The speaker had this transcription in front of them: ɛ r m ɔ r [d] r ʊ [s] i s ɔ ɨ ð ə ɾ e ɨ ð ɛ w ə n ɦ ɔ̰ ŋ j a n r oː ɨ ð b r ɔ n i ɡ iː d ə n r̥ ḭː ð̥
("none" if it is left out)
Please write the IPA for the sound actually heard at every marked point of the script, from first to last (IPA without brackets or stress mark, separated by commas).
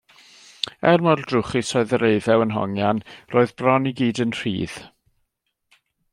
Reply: d, χ